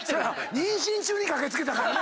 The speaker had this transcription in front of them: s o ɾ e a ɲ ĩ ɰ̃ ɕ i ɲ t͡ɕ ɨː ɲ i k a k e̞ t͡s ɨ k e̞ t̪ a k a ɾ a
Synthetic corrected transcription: s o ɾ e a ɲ ĩ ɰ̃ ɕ ĩ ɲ t͡ɕ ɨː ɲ i k a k e̞ t͡s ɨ k e̞ t̪ a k a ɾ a